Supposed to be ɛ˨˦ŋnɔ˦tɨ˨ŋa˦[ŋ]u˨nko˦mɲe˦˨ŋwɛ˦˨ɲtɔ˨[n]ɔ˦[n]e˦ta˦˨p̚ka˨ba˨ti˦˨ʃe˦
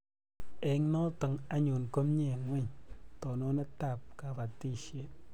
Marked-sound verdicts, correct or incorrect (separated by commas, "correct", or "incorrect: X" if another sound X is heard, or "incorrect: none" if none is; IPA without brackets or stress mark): incorrect: ɲ, correct, correct